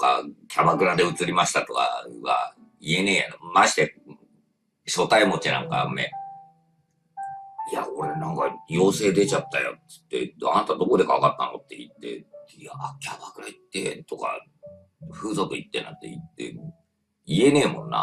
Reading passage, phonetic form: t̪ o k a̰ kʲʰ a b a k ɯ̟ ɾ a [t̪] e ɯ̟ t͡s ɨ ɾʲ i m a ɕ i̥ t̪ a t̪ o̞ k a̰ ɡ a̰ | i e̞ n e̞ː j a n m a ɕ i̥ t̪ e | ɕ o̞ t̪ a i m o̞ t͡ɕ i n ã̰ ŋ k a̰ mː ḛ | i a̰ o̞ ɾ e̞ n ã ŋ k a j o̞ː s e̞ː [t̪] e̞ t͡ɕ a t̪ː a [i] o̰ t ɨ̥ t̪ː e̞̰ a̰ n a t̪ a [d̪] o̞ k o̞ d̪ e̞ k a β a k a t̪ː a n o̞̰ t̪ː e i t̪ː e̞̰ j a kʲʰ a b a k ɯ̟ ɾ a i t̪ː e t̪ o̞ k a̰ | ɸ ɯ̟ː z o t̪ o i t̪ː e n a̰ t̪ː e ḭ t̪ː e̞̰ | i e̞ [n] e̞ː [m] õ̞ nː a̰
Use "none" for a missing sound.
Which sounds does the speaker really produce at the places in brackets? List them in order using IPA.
d̪, d̪, j, d̪, n, m

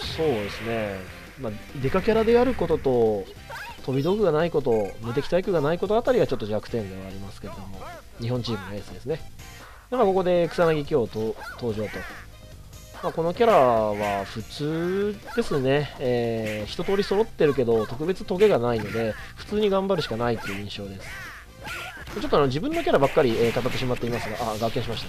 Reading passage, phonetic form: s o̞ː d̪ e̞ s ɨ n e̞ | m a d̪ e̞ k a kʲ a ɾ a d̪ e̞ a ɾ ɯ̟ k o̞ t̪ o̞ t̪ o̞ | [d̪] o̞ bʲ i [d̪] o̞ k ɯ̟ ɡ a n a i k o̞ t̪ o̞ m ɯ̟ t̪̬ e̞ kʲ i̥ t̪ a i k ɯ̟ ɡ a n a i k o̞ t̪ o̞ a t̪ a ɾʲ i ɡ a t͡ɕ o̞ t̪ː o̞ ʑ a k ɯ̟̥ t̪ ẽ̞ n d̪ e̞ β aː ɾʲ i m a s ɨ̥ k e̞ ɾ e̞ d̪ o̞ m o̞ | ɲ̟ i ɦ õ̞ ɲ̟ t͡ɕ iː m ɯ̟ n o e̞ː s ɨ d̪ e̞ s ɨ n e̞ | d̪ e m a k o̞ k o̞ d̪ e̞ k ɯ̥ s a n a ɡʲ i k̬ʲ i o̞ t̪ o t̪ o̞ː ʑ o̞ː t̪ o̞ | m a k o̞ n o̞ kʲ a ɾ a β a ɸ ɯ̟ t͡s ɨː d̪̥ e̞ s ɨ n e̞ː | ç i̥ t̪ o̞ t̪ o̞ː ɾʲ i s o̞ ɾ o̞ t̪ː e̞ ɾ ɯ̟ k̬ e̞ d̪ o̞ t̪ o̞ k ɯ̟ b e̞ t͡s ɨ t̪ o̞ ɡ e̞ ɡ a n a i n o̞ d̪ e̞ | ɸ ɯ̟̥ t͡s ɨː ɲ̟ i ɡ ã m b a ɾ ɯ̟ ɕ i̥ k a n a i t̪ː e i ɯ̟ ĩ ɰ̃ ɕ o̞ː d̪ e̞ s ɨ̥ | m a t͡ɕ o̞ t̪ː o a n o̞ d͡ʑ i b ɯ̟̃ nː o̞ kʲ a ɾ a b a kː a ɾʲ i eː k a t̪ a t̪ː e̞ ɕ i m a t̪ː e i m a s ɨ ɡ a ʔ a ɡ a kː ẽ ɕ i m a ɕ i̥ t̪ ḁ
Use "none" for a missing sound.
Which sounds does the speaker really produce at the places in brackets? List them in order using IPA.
t̪, d̪

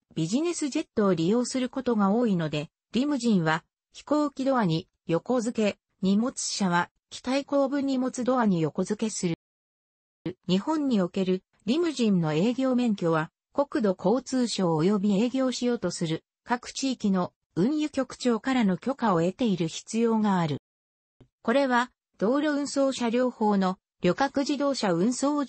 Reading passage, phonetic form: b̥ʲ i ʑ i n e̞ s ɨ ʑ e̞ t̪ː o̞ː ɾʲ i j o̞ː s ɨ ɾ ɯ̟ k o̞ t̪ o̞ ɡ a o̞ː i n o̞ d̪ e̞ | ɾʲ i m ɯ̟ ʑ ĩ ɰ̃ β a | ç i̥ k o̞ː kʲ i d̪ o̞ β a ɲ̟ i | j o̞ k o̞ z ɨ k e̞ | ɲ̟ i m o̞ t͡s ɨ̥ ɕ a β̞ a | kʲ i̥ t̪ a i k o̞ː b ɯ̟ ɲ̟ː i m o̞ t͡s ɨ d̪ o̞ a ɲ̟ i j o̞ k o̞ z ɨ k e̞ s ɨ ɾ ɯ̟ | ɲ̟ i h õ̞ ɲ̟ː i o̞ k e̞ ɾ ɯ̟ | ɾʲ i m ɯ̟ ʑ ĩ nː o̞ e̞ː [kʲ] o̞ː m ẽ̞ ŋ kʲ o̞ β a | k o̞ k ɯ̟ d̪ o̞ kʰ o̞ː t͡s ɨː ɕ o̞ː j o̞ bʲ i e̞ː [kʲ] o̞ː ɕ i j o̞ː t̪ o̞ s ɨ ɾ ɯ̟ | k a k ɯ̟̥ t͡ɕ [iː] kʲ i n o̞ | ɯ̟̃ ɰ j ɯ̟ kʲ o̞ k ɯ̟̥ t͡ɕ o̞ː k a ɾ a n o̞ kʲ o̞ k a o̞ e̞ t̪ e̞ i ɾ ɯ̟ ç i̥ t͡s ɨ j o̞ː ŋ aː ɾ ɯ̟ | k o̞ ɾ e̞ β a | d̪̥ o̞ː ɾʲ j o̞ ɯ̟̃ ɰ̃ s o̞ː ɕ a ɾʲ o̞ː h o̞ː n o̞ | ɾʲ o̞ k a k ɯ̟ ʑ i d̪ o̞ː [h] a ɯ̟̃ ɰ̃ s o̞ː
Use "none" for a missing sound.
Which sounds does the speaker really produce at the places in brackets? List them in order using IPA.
ɡʲ, ɡʲ, iː, ɕ

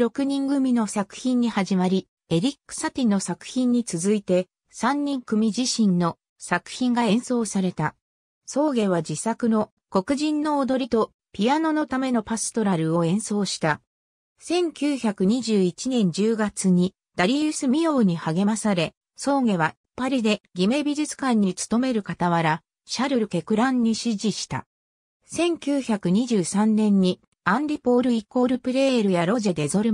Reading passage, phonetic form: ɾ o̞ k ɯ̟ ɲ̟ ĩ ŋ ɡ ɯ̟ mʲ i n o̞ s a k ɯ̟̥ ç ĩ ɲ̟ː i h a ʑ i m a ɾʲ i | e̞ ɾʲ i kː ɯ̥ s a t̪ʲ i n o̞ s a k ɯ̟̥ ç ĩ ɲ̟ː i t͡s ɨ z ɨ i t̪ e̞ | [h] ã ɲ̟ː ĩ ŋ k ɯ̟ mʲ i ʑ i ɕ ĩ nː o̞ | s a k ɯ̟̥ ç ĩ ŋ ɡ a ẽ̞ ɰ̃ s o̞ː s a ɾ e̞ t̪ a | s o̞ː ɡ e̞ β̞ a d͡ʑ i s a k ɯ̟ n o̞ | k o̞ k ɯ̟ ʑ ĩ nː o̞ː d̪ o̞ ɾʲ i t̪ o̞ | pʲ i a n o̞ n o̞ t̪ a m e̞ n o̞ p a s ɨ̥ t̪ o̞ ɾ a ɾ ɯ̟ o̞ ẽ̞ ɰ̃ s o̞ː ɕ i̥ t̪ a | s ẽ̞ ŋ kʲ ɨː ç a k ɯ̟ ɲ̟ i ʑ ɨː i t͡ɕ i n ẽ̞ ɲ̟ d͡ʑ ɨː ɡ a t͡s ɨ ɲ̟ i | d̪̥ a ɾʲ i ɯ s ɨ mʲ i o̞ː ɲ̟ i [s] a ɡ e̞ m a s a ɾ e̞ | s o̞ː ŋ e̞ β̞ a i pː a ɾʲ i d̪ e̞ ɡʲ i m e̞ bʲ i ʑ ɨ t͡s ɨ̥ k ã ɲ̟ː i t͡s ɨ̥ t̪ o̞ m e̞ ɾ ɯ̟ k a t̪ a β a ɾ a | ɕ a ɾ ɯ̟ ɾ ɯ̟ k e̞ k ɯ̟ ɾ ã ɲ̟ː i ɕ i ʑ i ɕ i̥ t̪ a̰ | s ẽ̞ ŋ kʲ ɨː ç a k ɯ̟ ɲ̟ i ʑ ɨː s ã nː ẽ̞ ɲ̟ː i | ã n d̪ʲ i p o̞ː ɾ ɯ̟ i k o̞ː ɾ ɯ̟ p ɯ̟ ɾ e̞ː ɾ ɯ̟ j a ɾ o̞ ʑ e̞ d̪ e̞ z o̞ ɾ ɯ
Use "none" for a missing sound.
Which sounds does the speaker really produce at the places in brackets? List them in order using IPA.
s, h

